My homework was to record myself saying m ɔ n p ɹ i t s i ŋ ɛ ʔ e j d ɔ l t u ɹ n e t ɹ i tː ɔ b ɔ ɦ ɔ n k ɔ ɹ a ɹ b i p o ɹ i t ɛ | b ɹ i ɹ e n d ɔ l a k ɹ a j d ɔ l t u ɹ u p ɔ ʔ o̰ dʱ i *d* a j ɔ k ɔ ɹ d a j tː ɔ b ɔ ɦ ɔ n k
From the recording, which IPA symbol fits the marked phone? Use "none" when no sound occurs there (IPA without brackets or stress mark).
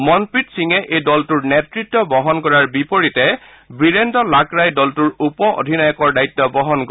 n